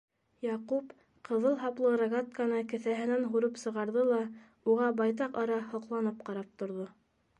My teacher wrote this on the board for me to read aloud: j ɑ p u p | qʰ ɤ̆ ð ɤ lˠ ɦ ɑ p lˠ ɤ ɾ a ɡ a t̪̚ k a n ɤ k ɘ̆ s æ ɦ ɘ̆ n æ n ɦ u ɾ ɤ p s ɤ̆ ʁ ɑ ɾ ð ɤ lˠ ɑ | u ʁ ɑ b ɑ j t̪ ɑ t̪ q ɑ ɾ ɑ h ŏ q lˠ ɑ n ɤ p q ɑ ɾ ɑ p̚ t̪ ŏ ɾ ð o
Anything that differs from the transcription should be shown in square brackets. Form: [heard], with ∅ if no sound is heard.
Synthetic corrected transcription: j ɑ [q] u p | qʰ ɤ̆ ð ɤ lˠ ɦ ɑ p lˠ ɤ ɾ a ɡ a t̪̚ k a n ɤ k ɘ̆ [θ] æ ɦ ɘ̆ n æ n ɦ u ɾ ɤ p s ɤ̆ ʁ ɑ ɾ ð ɤ lˠ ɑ | u ʁ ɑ b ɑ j t̪ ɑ [∅] q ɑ ɾ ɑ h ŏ q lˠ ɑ n ɤ p q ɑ ɾ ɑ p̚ t̪ ŏ ɾ ð o